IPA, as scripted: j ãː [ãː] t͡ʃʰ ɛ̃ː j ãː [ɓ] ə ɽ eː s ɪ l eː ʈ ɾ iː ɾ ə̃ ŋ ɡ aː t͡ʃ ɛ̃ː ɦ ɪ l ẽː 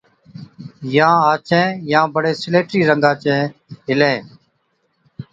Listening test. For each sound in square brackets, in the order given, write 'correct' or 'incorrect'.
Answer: incorrect: aː, incorrect: b

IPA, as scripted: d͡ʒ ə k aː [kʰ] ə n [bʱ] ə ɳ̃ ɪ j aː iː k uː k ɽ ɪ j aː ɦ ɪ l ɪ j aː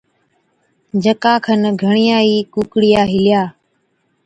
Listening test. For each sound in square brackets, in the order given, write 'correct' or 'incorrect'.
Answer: correct, incorrect: ɡʱ

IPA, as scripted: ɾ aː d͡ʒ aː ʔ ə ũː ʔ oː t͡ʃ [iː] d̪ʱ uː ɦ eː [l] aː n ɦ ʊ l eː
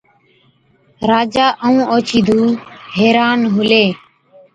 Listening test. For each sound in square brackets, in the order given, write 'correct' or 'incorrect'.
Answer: correct, incorrect: ɾ

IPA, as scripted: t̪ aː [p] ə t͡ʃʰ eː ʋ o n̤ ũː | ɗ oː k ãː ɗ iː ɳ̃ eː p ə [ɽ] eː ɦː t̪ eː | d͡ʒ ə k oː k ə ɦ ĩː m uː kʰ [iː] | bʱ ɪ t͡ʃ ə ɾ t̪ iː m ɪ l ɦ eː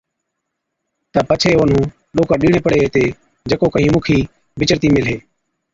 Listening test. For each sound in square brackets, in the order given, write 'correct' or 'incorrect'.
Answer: correct, correct, correct

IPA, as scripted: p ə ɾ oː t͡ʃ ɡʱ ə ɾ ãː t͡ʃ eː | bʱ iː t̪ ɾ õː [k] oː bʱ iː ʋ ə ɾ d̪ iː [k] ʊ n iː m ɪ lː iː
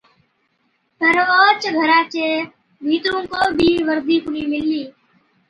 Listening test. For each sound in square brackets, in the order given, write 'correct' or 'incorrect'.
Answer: correct, correct

